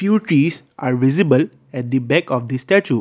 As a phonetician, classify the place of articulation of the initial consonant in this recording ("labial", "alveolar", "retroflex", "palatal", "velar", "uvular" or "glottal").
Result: labial